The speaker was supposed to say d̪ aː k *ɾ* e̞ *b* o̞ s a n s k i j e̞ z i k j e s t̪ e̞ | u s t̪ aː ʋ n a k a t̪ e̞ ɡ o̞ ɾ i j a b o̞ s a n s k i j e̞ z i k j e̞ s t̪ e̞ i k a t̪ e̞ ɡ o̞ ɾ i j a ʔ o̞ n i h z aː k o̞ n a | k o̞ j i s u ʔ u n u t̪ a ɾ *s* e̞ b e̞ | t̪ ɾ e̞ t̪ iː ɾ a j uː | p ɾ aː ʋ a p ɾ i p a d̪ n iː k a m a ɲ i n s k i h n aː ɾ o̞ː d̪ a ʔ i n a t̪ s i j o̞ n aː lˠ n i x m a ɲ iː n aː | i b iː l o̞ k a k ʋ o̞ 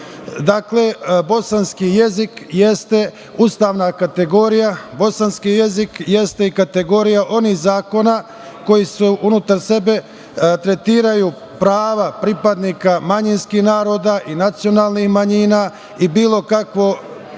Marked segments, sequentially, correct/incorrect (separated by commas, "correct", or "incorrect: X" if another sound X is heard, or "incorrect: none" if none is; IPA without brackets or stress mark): incorrect: l, correct, correct